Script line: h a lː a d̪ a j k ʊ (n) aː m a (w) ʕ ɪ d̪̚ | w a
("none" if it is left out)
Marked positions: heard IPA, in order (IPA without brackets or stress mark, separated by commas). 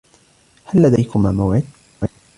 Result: m, w